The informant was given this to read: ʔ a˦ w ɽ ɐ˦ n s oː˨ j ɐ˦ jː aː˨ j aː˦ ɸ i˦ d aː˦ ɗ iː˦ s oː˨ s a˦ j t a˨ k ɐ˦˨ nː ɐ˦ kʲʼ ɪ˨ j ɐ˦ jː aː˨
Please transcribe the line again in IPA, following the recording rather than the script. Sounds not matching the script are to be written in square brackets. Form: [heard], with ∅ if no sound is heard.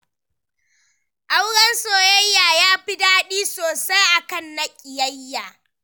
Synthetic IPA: ʔ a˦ w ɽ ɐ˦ n s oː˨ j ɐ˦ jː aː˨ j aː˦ ɸ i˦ d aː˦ ɗ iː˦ s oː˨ s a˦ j [ʔ] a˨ k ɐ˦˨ nː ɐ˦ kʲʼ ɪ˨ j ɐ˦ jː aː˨